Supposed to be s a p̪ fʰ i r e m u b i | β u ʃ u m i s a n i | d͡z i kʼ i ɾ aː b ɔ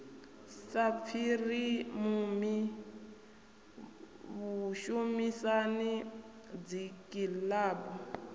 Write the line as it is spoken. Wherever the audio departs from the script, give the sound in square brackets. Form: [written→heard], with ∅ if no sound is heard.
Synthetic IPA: s a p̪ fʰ i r [e→i] m u [b→m] i | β u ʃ u m i s a n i | d͡z i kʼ i [ɾ→l] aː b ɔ